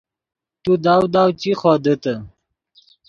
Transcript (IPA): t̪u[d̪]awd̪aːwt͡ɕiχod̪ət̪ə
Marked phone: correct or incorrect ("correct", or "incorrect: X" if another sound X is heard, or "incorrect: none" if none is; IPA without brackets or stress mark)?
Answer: correct